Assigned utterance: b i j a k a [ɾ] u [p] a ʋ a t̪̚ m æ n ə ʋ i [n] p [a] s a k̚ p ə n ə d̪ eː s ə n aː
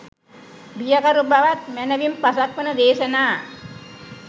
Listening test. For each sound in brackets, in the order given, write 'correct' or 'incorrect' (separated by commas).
correct, incorrect, incorrect, correct